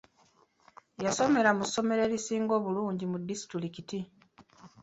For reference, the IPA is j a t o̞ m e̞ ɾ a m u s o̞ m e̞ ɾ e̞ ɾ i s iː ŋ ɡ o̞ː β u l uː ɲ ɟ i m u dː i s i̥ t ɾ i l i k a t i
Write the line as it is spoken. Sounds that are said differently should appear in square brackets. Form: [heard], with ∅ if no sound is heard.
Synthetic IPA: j a [s] o̞ m e̞ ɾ a m u s o̞ m e̞ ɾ e̞ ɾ i s iː ŋ ɡ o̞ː β u l uː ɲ ɟ i m u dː i s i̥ t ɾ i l i k [i] t i